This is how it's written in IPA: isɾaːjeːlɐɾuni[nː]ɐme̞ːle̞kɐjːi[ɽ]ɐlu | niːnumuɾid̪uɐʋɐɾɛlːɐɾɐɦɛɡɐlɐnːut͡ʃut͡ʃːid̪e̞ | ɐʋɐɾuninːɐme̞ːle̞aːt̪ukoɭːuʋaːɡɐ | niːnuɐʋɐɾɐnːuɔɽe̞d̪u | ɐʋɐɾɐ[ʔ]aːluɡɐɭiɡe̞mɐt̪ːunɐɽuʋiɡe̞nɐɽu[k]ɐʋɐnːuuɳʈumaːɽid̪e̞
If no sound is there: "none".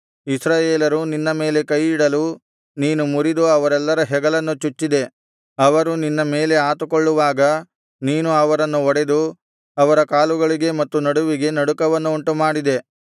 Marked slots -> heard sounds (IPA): nː, ɽ, k, k

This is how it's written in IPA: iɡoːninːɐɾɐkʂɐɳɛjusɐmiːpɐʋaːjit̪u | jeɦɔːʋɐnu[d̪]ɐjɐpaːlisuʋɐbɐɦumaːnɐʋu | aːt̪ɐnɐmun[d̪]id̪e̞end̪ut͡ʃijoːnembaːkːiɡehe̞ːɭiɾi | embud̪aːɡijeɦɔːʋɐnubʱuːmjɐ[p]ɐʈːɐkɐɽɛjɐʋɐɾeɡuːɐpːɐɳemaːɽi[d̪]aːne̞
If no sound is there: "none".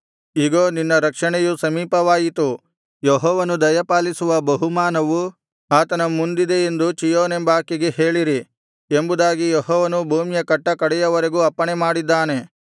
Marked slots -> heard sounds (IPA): d̪, d̪, k, d̪ː

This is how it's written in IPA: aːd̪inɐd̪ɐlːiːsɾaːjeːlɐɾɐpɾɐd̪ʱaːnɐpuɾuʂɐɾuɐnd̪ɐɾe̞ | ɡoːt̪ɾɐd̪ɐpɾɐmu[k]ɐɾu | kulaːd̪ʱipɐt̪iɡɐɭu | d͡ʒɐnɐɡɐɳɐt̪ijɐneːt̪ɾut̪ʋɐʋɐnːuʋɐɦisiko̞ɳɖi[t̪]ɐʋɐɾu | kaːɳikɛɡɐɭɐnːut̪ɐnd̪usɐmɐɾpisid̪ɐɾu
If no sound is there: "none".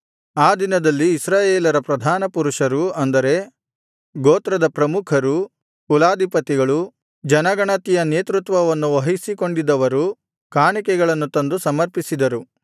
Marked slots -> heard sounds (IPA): kʰ, d̪

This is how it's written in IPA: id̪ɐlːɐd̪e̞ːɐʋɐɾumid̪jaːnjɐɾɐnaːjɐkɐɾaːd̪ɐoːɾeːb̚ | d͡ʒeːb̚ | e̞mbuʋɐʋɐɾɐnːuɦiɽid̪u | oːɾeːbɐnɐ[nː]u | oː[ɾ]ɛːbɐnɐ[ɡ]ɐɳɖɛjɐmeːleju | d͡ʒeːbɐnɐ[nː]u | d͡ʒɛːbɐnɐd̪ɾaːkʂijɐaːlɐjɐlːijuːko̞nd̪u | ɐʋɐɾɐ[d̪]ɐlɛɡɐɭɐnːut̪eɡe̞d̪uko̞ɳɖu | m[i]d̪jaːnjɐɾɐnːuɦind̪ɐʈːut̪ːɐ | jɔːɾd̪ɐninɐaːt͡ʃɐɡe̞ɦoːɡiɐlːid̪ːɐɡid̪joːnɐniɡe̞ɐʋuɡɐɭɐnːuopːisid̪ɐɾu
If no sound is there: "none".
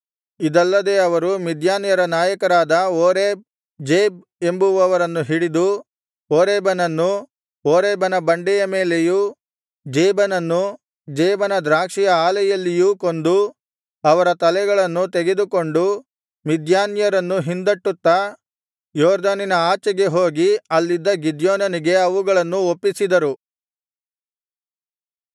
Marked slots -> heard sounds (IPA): nː, ɾ, b, nː, t̪, i

